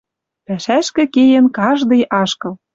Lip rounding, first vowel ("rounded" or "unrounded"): unrounded